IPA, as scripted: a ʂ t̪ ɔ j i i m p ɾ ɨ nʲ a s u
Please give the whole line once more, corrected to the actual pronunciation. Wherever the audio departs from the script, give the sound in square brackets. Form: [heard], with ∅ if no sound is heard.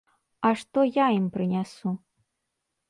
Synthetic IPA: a ʂ t̪ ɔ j [a] i m p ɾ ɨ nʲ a s u